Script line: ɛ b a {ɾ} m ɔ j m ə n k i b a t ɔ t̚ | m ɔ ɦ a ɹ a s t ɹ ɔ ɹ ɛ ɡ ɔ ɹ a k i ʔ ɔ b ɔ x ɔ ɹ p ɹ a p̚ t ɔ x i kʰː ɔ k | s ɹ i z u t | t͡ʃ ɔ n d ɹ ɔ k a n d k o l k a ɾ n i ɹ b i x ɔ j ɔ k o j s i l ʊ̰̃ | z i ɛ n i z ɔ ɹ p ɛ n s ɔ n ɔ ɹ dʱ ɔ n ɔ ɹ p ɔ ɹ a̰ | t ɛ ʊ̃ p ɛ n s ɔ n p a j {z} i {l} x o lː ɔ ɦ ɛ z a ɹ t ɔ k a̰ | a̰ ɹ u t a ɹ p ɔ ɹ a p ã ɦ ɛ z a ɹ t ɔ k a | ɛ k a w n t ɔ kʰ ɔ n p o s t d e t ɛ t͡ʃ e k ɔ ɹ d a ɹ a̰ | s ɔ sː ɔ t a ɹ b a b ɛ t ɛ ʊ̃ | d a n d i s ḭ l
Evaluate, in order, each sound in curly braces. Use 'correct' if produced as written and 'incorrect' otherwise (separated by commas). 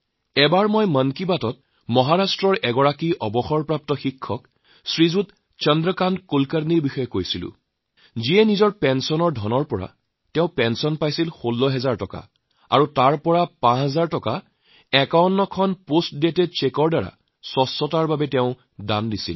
incorrect, incorrect, correct